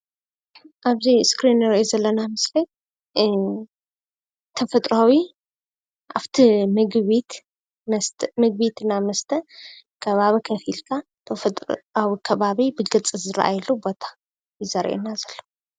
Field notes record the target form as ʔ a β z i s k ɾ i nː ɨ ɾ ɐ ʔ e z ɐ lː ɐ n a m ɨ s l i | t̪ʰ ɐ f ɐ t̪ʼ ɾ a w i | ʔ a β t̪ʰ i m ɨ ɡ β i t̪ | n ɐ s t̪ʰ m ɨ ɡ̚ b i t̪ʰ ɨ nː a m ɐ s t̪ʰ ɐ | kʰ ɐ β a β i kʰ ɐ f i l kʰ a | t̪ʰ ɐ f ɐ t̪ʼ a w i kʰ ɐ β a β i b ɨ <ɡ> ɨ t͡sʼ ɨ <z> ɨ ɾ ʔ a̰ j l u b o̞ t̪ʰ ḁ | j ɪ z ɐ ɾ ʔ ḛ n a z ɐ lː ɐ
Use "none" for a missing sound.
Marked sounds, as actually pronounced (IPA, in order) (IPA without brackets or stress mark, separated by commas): ɡ, z